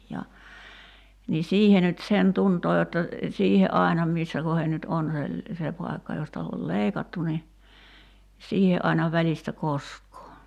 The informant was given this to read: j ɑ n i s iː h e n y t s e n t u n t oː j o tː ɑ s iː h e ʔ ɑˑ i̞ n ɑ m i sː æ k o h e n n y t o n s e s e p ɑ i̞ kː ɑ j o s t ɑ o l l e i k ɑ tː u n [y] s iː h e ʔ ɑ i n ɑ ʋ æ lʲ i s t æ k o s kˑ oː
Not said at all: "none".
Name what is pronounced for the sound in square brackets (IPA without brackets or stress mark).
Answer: i